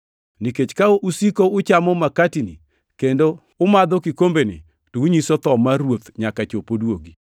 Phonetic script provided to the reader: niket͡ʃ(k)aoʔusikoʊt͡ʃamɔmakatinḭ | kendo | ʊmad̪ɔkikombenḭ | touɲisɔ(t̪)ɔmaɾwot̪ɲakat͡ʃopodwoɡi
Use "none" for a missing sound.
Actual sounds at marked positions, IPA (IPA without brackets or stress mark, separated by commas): k, t̪